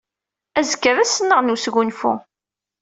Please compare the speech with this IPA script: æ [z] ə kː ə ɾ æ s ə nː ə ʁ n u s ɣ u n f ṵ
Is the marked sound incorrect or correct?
correct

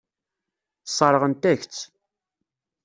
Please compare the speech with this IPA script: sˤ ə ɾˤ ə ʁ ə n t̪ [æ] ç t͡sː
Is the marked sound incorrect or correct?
correct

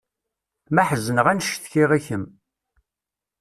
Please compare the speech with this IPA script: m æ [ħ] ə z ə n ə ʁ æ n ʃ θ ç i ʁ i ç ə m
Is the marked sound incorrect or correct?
correct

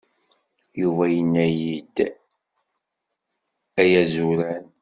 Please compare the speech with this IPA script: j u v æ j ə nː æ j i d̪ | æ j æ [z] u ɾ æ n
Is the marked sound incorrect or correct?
correct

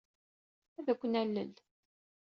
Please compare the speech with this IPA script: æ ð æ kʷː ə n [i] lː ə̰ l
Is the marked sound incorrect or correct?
incorrect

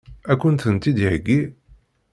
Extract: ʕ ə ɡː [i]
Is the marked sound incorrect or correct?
correct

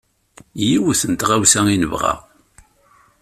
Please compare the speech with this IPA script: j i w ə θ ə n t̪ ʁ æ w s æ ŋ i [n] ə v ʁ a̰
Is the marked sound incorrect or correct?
correct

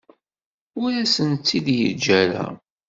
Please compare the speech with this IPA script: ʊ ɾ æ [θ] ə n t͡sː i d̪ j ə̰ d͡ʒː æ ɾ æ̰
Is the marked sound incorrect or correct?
incorrect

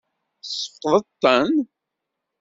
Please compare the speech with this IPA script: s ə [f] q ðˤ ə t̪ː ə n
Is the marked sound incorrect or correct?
correct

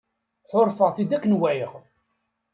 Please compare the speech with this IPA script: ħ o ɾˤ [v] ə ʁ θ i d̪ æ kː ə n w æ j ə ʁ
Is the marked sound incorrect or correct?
incorrect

